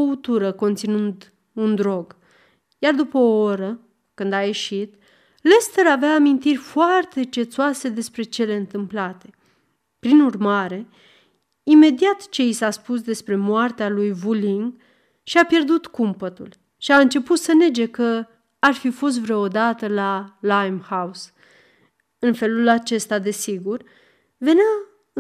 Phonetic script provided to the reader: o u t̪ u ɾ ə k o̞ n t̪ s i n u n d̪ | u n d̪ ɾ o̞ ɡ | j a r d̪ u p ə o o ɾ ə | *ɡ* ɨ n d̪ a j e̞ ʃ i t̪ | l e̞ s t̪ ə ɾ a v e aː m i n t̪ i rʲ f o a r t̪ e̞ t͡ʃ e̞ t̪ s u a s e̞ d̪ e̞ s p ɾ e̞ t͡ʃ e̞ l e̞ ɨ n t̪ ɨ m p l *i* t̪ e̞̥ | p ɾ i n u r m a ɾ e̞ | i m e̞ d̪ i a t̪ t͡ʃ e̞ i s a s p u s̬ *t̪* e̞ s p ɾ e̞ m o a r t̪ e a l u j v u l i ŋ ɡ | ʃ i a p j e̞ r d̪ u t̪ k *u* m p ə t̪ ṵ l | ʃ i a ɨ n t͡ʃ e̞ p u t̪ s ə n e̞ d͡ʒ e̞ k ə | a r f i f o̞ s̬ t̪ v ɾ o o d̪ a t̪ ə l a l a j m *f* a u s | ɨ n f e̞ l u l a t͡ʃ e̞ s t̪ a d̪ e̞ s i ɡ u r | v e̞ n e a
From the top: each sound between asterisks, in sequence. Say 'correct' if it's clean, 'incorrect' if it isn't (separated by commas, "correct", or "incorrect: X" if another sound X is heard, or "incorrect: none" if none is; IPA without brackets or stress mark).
incorrect: k, incorrect: a, incorrect: d̪, correct, incorrect: h